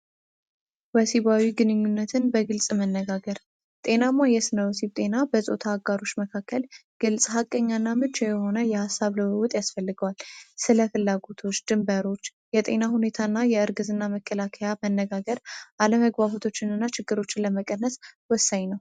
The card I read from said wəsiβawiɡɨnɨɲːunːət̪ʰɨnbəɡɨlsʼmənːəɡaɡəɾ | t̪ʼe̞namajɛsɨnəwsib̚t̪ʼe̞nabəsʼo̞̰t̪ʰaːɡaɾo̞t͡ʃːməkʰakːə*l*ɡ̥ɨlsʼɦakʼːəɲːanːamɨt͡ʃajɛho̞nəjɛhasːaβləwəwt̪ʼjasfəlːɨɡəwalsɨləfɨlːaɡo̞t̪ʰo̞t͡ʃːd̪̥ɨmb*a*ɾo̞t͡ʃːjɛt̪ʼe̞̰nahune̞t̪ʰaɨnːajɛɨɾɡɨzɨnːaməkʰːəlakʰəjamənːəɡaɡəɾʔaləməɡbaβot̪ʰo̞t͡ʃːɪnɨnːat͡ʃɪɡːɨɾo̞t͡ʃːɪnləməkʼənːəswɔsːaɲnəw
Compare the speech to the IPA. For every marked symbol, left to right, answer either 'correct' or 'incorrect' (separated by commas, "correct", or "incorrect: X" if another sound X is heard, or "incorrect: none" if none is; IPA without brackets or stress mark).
correct, incorrect: ə